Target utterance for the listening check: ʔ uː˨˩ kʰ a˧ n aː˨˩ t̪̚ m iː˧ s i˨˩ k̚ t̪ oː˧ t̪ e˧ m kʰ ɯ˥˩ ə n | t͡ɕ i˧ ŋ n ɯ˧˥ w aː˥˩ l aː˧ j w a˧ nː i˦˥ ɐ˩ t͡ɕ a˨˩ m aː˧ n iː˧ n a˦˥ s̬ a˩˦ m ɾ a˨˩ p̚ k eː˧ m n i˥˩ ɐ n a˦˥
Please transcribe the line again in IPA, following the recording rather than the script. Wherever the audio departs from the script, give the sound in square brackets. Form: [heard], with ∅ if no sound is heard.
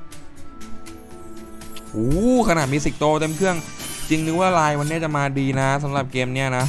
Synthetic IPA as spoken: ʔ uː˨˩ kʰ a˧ n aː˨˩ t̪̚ m iː˧ s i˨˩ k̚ t̪ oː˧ t̪ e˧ m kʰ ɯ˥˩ ə [ŋ] | t͡ɕ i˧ ŋ n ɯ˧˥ w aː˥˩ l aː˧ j w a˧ nː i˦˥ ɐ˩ t͡ɕ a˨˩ m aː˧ [d] iː˧ n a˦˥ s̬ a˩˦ m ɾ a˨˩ p̚ k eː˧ m n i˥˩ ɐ n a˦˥